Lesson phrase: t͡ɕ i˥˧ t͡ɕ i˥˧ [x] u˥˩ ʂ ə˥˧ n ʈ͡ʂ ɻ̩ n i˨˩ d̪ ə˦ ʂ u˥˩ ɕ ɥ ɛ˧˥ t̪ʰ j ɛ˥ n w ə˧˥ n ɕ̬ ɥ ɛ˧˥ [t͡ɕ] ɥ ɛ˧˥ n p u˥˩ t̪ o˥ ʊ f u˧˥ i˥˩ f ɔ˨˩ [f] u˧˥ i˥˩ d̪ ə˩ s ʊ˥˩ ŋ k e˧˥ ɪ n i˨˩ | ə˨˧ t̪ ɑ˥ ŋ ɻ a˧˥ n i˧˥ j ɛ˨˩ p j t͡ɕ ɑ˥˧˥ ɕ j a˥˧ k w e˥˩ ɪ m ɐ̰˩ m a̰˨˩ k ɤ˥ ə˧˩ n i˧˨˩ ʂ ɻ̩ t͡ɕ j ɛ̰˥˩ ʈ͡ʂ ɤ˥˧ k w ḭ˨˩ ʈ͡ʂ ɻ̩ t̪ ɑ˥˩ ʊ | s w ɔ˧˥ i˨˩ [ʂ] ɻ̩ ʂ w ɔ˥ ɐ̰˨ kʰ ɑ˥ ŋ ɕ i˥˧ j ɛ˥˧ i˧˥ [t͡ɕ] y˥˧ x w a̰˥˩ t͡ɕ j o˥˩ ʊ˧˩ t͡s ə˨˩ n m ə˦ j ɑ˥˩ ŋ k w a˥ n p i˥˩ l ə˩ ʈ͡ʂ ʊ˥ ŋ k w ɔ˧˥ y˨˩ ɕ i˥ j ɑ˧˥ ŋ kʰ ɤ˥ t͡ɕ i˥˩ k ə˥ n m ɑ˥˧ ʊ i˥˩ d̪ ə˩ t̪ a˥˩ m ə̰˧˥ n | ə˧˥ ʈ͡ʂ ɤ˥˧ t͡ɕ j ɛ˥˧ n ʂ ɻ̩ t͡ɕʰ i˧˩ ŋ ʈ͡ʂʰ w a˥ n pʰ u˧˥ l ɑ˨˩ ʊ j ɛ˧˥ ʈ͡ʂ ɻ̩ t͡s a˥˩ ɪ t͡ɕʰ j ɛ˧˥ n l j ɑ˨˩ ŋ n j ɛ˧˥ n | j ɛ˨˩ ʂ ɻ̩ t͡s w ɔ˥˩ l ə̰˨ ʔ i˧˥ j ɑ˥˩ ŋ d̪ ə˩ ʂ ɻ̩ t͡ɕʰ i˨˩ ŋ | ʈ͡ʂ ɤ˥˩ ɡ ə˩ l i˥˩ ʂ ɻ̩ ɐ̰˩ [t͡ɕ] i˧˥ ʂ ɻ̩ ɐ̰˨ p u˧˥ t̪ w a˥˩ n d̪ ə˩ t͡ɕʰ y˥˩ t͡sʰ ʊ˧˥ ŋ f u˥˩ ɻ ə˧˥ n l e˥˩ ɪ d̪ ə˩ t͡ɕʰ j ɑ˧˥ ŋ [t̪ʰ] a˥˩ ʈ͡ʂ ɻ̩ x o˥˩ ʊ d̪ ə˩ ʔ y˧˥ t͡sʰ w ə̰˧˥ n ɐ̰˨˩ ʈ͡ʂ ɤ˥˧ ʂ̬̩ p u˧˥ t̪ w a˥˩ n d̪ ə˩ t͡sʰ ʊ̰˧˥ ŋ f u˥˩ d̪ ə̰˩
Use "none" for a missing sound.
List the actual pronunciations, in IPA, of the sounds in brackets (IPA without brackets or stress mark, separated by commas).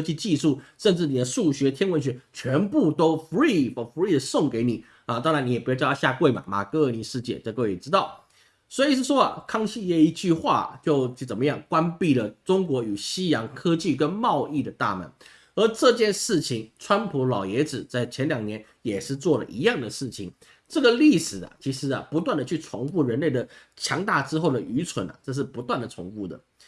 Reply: ʂ, t͡ɕʰ, f, ʂ, t͡ɕ, t͡ɕʰ, t̪